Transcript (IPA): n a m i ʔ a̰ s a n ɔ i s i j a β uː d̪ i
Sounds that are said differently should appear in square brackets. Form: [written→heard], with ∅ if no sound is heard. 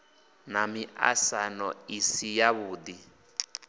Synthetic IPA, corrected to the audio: n a m i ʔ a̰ s a n ɔ i s i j a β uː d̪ i